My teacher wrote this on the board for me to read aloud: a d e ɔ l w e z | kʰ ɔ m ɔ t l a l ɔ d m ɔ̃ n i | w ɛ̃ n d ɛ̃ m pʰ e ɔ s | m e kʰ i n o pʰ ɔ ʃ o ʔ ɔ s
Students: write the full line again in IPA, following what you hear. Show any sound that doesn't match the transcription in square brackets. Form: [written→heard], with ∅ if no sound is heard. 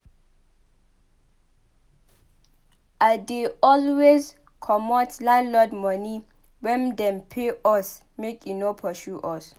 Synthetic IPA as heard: a d e ɔ l w e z | kʰ ɔ m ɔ t l a l ɔ d m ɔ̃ n i | w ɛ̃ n d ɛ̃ m pʰ e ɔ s | m e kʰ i n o pʰ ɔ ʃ [o→u] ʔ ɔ s